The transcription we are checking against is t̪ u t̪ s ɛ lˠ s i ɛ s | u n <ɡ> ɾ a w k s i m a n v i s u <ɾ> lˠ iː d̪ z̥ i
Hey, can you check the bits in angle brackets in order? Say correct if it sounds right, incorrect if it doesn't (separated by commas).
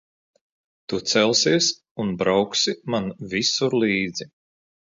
incorrect, correct